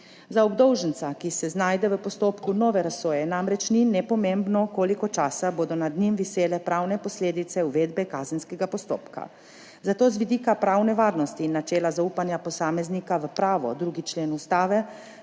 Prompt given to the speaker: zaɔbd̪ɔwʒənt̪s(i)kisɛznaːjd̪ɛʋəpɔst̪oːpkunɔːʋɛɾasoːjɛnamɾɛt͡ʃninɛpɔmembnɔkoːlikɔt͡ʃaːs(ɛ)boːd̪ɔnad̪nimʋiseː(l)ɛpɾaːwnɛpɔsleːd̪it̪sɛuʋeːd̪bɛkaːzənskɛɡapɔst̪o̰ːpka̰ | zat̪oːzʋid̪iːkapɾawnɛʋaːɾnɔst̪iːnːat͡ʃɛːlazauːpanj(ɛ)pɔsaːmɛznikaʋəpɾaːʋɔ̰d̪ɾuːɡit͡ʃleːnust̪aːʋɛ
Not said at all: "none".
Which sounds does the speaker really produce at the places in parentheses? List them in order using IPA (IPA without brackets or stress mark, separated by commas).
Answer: a, a, l, a